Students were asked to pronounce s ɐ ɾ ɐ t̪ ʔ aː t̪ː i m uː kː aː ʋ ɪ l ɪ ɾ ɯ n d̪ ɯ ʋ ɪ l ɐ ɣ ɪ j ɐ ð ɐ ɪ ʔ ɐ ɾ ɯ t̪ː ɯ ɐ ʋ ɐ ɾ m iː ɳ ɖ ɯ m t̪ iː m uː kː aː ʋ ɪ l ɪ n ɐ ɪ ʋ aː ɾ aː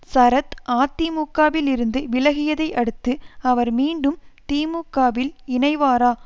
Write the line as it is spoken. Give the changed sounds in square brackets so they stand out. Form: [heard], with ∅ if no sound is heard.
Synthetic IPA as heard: s ɐ ɾ ɐ t̪ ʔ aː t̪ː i m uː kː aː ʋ ɪ l ɪ ɾ ɯ n d̪ ɯ ʋ ɪ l ɐ ɣ ɪ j ɐ ð ɐ ɪ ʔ ɐ [ɽ] ɯ t̪ː ɯ ɐ ʋ ɐ ɾ m iː ɳ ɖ ɯ m t̪ iː m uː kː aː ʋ ɪ l ɪ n ɐ ɪ ʋ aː ɾ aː